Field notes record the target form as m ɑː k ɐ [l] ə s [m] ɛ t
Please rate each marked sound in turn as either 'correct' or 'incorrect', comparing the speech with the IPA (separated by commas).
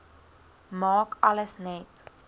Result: correct, incorrect